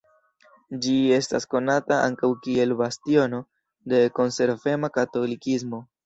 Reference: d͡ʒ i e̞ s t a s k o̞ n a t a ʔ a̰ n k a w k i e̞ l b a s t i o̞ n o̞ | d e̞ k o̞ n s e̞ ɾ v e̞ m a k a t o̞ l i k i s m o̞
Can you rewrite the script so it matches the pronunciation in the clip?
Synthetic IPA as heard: d͡ʒ i e̞ s t a s k o̞ n a t a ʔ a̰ ŋ k a w k i e̞ l b a s t i o̞ n o̞ | d e̞ k o̞ n s e̞ ɾ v e̞ m a k a t o̞ l i k i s m o̞